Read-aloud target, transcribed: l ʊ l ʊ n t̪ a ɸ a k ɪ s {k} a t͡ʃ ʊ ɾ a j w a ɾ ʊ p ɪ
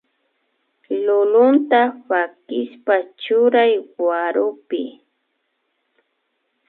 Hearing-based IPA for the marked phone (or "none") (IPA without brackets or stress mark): p